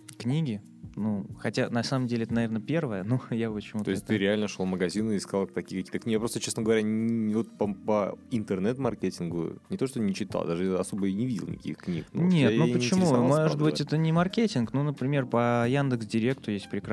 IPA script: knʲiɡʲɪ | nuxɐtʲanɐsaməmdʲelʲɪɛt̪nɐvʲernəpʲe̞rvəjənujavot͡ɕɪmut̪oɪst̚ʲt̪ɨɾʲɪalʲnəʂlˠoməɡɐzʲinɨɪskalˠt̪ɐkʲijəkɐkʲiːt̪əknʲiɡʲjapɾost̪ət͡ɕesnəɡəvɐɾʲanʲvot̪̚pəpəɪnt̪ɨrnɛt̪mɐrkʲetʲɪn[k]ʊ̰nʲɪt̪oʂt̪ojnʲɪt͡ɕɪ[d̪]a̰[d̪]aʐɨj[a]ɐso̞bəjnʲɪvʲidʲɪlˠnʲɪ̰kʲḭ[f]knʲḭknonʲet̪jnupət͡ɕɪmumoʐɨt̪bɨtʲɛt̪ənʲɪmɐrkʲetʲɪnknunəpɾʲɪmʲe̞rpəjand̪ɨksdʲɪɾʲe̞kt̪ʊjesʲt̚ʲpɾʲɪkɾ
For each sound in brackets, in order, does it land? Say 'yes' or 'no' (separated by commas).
no, no, yes, yes, no